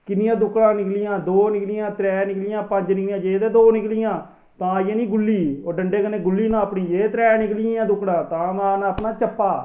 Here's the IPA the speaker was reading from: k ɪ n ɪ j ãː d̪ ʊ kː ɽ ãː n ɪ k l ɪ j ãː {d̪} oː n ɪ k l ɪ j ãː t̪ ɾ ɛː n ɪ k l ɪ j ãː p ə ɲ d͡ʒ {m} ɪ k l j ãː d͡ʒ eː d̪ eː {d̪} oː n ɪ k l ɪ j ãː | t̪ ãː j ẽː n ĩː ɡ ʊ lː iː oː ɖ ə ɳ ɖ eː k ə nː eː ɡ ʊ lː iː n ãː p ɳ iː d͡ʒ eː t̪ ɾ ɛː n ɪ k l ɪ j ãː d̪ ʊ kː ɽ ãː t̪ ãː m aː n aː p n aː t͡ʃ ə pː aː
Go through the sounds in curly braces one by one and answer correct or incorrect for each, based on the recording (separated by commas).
correct, incorrect, correct